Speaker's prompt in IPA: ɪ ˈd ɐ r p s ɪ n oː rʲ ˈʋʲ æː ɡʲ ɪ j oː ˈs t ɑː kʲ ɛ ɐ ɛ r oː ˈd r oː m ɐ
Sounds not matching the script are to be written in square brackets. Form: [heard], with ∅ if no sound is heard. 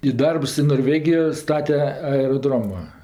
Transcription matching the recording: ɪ ˈd ɐ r p s ɪ n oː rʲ ˈʋʲ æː ɡʲ ɪ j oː ˈs t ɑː [tʲ] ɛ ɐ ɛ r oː ˈd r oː m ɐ